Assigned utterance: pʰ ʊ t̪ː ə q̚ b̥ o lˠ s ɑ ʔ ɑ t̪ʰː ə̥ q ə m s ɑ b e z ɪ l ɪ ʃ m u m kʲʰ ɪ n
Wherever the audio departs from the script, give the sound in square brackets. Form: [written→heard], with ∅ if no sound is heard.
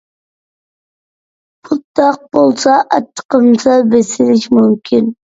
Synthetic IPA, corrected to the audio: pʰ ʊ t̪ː [ə→ɑ] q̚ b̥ o lˠ s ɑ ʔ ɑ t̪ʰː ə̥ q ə m s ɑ b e [z→s] ɪ l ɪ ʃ m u m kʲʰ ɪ n